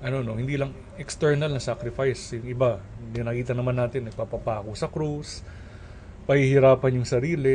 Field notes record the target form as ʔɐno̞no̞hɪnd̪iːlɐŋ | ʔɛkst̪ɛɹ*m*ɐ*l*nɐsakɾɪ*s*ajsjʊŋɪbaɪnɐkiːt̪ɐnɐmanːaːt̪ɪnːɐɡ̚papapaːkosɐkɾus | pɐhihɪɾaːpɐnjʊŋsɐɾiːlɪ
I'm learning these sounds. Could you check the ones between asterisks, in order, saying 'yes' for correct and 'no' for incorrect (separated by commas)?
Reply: no, yes, no